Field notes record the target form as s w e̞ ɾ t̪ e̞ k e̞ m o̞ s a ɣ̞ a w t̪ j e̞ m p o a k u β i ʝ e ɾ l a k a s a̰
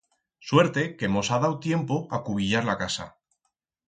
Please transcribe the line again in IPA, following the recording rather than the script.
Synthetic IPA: s w e̞ ɾ t̪ e̞ k e̞ m o̞ s a ð̞ a w t̪ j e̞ m p o a k u β i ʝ a ɾ l a k a s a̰